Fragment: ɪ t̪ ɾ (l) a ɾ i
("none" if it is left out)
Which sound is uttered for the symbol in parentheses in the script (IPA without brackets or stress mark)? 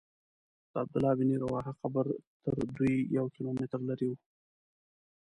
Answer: l